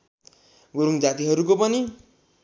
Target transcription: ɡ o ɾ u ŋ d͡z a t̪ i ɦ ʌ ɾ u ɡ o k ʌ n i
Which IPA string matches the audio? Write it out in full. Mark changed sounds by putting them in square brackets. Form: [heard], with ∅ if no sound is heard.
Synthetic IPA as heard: ɡ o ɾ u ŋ d͡z a t̪ i ɦ ʌ ɾ u [k] o [p] ʌ n i